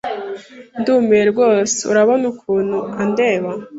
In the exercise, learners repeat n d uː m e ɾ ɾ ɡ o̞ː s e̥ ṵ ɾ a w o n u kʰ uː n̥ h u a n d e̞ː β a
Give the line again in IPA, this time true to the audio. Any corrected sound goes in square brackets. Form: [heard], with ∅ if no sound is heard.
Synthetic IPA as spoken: n d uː m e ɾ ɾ ɡ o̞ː s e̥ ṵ ɾ a [β] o n u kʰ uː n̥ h u a n d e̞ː β a